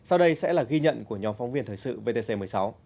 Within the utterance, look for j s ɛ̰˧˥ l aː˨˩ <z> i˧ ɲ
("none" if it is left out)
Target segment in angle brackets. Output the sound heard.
ɣ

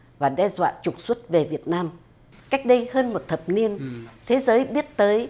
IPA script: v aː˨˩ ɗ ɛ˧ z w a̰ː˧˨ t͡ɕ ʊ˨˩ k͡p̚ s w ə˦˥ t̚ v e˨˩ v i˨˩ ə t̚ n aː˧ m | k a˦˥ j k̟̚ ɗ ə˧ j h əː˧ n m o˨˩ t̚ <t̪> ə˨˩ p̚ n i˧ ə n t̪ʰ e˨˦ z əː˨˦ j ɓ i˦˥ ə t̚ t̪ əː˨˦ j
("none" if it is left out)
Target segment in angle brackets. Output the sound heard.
t̪ʰ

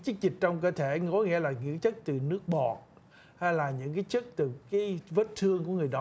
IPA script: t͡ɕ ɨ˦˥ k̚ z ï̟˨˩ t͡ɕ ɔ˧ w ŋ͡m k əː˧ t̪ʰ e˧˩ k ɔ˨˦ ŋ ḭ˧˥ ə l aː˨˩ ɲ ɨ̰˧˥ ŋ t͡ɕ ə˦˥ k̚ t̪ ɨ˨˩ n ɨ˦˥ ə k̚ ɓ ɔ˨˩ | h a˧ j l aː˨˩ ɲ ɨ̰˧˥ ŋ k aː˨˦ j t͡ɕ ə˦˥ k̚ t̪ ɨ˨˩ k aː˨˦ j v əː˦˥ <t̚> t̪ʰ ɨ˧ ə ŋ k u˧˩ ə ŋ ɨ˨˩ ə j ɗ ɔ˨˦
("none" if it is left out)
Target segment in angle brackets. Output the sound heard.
t̚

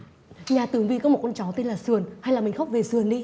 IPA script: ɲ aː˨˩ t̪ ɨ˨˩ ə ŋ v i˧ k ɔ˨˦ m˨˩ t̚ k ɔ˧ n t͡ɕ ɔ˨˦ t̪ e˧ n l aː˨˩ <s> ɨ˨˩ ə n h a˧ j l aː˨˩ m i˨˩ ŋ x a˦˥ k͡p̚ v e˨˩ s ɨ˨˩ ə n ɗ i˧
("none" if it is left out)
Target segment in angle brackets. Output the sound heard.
s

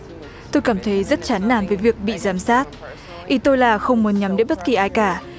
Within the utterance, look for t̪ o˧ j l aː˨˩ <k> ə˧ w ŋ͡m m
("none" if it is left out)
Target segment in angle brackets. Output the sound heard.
x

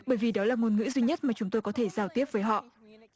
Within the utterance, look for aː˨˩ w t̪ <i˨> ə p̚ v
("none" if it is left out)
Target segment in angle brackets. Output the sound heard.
i˦˥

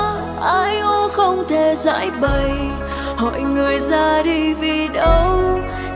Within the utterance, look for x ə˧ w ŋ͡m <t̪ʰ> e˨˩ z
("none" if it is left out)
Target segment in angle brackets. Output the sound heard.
t̪ʰ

